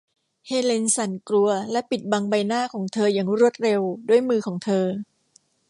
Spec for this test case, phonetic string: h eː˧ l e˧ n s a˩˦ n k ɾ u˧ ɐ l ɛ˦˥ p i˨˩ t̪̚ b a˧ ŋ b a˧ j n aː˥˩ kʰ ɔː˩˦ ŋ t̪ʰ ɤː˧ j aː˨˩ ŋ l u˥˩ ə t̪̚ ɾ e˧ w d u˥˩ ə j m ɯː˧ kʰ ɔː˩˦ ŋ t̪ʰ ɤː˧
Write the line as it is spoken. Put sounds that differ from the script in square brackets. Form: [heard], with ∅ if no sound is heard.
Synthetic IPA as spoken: h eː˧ l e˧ n s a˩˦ n k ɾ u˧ ɐ l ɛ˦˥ p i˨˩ t̪̚ b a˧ ŋ b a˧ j n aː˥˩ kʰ ɔː˩˦ ŋ t̪ʰ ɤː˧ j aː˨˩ ŋ [ɾ] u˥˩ ə t̪̚ ɾ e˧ w d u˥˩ ə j m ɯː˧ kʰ ɔː˩˦ ŋ t̪ʰ ɤː˧